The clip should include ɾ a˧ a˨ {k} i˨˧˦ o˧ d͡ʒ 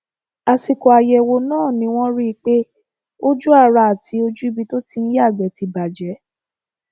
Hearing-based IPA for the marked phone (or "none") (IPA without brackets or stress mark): t